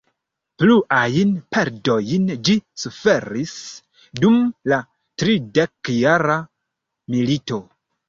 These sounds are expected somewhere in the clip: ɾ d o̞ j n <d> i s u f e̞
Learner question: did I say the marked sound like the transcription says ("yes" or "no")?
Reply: no